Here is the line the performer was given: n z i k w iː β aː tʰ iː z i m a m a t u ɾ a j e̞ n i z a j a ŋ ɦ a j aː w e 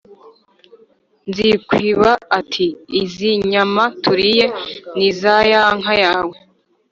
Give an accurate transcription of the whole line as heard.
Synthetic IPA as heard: n z i k w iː β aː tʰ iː z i ɲ a m a t u ɾ i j e̞ n i z a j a ŋ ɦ a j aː w e